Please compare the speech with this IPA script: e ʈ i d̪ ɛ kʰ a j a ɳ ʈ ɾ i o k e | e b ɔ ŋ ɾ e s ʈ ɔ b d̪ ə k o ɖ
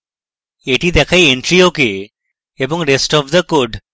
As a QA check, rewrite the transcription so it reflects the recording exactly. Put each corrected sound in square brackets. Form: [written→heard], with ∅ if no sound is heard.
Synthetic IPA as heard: e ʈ i d̪ ɛ kʰ a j [a→e] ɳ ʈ ɾ i o k e | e b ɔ ŋ ɾ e s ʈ ɔ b d̪ ə k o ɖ